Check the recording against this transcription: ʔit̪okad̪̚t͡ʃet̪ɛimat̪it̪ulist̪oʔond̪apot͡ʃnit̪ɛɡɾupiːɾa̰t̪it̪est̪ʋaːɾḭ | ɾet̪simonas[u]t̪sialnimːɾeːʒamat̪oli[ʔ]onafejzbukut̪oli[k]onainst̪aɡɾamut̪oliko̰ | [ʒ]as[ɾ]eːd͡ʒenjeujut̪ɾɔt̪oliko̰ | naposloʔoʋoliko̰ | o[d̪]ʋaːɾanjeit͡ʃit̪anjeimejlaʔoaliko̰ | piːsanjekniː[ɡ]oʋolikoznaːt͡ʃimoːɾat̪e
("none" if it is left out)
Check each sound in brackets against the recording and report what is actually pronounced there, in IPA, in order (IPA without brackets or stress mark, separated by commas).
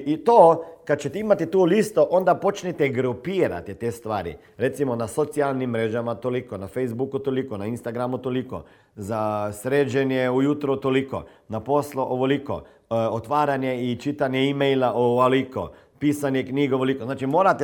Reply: o, k, k, z, ɾ, t̪, ɡ